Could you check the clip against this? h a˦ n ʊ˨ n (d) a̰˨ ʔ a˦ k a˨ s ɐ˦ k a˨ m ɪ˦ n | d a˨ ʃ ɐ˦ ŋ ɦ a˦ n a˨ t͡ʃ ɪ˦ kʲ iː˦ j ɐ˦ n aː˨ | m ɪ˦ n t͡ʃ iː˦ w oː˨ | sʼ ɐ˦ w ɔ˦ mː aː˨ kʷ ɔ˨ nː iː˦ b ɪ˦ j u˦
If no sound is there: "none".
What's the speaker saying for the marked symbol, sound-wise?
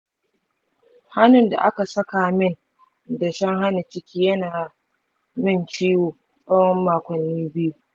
d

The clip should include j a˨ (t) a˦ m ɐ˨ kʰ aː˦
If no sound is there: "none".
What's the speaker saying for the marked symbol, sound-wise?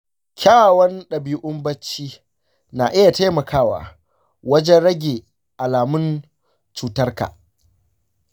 t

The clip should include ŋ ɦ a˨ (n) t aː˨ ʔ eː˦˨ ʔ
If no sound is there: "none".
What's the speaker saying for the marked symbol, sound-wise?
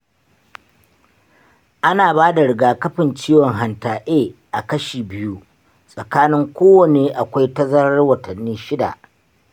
n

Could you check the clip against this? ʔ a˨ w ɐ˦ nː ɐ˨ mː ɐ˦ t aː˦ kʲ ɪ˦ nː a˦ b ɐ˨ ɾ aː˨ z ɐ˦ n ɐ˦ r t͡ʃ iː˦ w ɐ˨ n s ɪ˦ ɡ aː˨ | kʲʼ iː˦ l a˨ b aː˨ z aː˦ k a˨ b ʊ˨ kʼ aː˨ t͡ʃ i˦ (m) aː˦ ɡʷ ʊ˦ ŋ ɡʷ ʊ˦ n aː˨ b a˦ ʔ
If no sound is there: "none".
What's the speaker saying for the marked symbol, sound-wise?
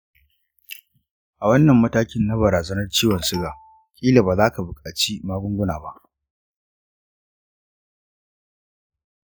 m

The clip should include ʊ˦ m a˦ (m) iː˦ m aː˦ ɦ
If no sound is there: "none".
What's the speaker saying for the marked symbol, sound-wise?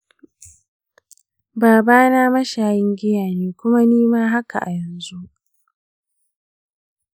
n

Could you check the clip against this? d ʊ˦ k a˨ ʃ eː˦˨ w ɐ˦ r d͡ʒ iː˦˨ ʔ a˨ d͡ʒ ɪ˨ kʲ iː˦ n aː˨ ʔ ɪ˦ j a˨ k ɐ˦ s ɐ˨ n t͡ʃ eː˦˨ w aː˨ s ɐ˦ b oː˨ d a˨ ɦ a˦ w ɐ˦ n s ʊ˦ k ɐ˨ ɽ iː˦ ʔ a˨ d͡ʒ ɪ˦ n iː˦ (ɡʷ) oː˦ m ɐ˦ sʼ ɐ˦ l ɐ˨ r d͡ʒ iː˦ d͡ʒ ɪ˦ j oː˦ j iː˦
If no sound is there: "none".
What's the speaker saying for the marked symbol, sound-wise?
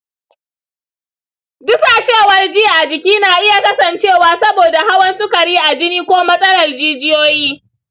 kʷ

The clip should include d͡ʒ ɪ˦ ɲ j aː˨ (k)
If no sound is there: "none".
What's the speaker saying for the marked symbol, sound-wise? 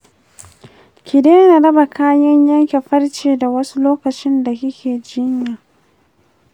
none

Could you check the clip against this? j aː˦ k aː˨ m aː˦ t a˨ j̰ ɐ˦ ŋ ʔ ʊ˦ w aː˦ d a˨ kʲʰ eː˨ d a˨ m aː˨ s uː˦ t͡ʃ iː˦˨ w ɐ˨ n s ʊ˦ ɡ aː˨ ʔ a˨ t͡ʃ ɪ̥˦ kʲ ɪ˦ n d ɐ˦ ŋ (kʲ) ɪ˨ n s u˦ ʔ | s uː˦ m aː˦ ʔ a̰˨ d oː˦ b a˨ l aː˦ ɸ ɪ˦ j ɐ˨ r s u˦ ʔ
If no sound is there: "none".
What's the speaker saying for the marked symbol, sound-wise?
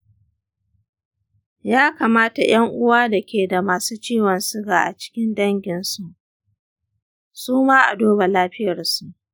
ɡʲ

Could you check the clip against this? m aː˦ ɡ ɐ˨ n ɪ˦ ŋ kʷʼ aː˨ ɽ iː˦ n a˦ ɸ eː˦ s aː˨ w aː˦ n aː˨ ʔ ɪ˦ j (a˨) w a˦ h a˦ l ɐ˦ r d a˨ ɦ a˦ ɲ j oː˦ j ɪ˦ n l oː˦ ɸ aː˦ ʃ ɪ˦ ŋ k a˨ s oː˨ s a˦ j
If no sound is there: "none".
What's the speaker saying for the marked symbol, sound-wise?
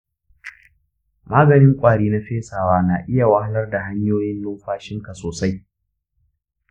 a˨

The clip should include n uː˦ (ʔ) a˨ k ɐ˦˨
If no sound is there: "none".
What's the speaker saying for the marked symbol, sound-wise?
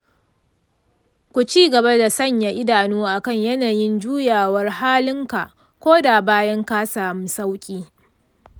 ʔ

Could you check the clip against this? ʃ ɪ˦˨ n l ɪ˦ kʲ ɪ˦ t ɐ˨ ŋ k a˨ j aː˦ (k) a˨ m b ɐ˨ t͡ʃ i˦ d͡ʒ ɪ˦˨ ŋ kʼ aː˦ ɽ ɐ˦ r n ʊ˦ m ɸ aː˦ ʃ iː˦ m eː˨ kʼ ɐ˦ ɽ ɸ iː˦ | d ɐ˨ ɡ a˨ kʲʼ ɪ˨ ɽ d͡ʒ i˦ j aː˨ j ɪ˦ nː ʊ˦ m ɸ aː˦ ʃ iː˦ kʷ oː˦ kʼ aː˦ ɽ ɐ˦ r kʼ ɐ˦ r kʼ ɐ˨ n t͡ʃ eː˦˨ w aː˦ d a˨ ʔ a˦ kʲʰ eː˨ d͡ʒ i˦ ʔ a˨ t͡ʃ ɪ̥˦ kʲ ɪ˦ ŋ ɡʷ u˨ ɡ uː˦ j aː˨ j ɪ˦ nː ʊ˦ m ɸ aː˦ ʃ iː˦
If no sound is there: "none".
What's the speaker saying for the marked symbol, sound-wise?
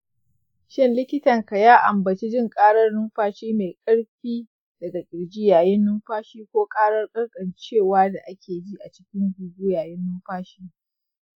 ʔ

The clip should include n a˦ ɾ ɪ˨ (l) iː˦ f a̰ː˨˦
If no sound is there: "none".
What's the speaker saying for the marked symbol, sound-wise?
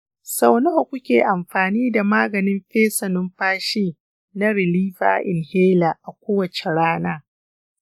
l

